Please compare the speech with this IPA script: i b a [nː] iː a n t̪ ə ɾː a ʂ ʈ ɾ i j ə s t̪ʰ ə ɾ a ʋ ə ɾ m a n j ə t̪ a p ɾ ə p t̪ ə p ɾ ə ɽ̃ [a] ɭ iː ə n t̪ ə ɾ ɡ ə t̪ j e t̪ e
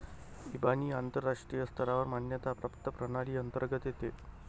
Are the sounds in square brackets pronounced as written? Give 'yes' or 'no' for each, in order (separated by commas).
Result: no, yes